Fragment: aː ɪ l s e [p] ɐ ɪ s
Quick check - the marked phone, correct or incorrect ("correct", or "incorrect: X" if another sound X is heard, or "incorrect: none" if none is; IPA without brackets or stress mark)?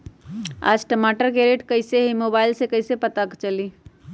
incorrect: k